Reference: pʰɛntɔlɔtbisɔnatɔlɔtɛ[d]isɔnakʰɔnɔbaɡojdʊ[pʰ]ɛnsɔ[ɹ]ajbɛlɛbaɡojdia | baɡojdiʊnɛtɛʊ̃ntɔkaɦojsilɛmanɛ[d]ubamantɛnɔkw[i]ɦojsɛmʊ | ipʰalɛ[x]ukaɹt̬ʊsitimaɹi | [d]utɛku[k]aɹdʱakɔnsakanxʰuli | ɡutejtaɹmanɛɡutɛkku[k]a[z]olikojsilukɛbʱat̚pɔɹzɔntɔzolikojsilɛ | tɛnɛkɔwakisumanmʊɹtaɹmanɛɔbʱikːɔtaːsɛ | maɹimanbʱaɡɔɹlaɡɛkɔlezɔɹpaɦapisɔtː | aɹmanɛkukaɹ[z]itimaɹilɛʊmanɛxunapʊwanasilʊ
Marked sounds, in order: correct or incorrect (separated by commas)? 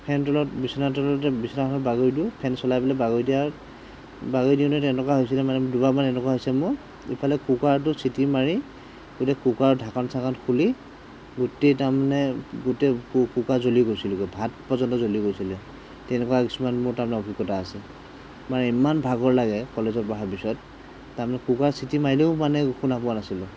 incorrect, correct, incorrect, correct, incorrect, incorrect, incorrect, correct, correct, correct, incorrect